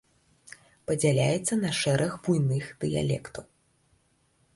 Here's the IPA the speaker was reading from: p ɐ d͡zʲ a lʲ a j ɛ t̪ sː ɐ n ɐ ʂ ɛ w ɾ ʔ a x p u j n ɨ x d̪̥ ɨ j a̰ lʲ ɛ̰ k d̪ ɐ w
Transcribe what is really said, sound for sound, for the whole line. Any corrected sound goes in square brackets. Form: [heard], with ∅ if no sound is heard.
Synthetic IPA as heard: p ɐ d͡zʲ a lʲ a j ɛ t̪ sː ɐ n ɐ ʂ ɛ [∅] ɾ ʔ [ɐ] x [b] u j n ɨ x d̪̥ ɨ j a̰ lʲ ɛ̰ k [t̪] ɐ w